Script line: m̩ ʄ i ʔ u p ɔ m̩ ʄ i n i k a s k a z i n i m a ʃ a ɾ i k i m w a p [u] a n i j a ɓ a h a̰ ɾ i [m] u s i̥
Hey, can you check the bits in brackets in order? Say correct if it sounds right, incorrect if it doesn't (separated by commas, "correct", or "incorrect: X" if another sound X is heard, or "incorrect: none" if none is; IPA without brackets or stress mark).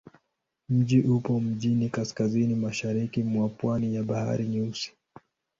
incorrect: w, incorrect: ɲ